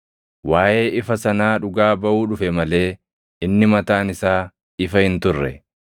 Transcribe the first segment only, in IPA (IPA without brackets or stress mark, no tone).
w